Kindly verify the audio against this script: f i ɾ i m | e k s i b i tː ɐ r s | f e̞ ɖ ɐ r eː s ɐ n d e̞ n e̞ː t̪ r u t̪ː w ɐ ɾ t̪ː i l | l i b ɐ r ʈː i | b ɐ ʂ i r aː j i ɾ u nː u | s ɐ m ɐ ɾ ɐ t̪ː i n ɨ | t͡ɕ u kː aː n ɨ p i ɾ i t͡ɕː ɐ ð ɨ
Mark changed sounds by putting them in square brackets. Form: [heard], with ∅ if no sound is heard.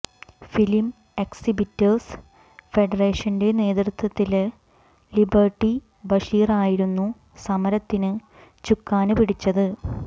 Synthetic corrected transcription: f i [l] i m | e k s i b i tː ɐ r s | f e̞ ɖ ɐ r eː [ʂ] ɐ n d e̞ n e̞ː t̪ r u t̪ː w ɐ [∅] t̪ː i l | l i b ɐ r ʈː i | b ɐ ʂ [iː] r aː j i ɾ u nː u | s ɐ m ɐ ɾ ɐ t̪ː i n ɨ | t͡ɕ u kː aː n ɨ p i [ɽ] i t͡ɕː ɐ ð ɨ